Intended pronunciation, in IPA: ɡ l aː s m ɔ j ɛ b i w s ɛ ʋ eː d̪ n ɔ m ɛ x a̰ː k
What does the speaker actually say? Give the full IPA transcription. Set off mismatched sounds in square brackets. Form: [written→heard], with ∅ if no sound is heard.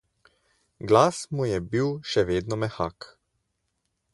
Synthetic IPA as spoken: ɡ l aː s m [ɔ→u] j ɛ b i w [s→ʃ] ɛ ʋ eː d̪ n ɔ m ɛ x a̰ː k